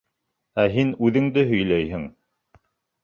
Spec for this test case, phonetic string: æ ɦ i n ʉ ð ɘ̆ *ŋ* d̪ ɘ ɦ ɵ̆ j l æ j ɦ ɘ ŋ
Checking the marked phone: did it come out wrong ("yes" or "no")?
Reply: no